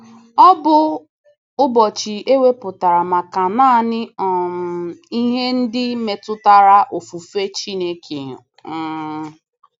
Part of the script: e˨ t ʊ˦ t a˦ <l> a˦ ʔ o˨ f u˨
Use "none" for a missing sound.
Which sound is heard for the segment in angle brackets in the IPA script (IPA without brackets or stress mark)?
ɾ